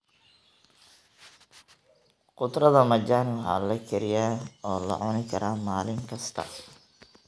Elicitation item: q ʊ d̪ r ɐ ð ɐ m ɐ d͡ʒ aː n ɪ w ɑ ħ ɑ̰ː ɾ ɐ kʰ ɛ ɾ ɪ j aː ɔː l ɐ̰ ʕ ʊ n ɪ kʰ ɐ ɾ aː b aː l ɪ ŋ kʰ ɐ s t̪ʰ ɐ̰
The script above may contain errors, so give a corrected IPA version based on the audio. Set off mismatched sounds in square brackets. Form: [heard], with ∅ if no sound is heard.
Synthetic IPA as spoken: q ʊ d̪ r ɐ ð ɐ m ɐ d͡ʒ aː n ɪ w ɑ ħ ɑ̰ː [l] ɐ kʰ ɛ ɾ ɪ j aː ɔː l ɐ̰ ʕ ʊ n ɪ kʰ ɐ ɾ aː [m] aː l ɪ ŋ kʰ ɐ s t̪ʰ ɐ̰